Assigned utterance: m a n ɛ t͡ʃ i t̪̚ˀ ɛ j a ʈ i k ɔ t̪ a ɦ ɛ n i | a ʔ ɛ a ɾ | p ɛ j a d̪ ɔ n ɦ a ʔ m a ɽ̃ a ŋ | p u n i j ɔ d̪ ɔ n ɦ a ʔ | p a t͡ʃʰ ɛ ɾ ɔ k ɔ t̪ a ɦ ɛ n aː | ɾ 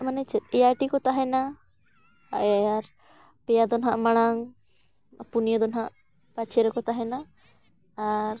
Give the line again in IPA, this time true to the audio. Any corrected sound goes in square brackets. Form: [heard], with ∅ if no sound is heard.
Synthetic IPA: m a n ɛ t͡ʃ [ɛ] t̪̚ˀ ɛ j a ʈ i k ɔ t̪ a ɦ ɛ n [a] | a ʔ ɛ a ɾ | p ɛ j a d̪ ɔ n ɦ a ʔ m a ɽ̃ a ŋ | p u n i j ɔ d̪ ɔ n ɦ a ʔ | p a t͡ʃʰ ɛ ɾ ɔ k ɔ t̪ a ɦ ɛ n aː | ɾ